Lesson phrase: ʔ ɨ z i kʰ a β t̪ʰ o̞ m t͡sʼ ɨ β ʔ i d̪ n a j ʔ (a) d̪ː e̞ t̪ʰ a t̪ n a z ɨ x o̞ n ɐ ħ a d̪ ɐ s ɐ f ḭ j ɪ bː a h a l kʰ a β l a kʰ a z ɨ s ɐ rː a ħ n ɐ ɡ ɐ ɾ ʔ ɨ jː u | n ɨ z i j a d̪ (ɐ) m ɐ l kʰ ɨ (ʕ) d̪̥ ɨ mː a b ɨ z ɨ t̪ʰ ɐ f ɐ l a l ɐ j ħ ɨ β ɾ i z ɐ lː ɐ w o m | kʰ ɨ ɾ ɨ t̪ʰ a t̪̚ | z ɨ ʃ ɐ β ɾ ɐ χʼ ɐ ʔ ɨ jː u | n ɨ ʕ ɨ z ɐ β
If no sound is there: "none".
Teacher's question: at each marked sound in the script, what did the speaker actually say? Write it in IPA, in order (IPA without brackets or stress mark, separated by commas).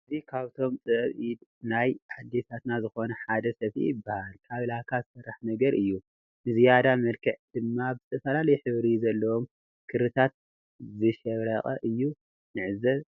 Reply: a, a, ʕ